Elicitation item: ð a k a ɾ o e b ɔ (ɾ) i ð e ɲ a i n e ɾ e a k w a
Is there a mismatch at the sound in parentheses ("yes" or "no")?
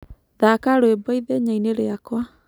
yes